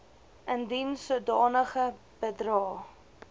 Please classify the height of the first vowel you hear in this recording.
mid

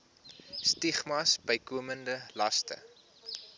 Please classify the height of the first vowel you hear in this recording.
high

